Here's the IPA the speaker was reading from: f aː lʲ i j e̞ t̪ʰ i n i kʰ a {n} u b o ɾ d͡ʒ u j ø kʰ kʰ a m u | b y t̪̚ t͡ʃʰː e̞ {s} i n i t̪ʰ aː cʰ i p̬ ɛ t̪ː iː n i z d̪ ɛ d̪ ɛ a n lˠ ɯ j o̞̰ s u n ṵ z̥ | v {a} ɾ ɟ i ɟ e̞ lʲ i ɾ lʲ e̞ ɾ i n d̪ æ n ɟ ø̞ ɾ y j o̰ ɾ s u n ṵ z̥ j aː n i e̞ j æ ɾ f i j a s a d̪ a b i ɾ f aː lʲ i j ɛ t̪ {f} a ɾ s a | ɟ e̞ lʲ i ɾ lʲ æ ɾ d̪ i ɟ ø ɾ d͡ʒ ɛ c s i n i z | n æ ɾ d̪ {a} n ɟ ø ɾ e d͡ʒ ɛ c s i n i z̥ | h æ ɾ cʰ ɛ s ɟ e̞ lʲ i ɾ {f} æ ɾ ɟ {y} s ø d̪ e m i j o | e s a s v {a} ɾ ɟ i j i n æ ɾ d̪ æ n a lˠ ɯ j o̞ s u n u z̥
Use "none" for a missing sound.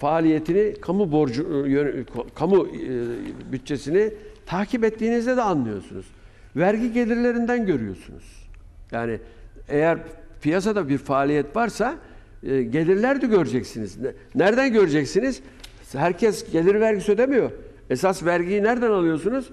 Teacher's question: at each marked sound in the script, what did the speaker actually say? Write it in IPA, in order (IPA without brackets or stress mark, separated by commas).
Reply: m, s, æ, v, æ, v, i, æ